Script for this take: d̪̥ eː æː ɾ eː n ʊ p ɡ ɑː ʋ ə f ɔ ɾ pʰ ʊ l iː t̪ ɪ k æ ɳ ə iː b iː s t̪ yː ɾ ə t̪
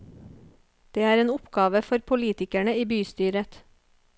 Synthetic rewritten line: d̪̥ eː æː ɾ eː n ʊ p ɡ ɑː ʋ ə f ɔ ɾ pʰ ʊ l iː t̪ ɪ k æ ɳ ə iː b yː s t̪ yː ɾ ə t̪